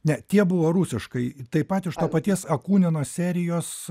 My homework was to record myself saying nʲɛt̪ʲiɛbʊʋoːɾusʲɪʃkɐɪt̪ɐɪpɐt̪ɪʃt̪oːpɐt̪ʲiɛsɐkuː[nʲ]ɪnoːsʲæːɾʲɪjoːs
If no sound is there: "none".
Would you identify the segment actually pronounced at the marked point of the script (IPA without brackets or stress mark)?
nʲ